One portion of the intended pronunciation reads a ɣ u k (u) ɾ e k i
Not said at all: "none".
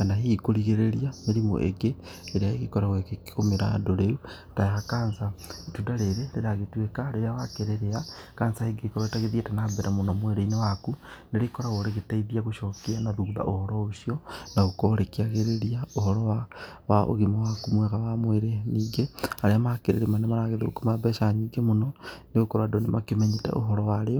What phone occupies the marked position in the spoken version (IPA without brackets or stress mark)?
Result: o